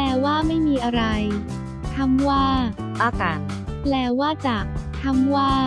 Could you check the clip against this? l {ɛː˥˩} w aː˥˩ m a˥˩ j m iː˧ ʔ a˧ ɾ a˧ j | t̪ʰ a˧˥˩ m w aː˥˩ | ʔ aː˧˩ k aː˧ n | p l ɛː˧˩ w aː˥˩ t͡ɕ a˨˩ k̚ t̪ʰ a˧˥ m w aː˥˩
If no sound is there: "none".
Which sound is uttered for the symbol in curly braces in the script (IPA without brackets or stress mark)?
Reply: ɛː˧˩